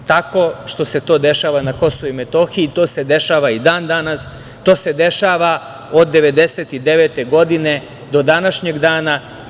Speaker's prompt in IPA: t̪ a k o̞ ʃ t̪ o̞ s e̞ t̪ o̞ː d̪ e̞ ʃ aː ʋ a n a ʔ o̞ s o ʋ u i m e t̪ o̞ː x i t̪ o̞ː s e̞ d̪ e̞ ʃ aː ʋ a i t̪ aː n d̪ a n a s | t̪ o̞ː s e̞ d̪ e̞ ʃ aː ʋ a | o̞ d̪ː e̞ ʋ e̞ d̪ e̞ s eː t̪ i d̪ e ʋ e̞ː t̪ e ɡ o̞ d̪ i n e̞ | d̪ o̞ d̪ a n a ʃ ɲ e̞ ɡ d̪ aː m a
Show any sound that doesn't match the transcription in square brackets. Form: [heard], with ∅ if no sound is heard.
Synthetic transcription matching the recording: t̪ a k o̞ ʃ t̪ o̞ s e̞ t̪ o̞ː d̪ e̞ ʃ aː ʋ a n a [k] o̞ s o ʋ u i m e t̪ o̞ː x i t̪ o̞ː s e̞ d̪ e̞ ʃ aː ʋ a i [d̪] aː n d̪ a n a s | t̪ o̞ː s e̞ d̪ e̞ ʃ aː ʋ a | o̞ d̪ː e̞ ʋ e̞ d̪ e̞ s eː t̪ i d̪ e ʋ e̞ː t̪ e ɡ o̞ d̪ i n e̞ | d̪ o̞ d̪ a n a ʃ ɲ e̞ ɡ d̪ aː [n] a